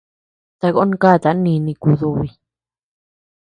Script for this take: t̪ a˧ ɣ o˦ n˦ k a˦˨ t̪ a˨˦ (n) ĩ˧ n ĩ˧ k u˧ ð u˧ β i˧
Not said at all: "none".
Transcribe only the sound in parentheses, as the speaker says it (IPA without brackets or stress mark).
n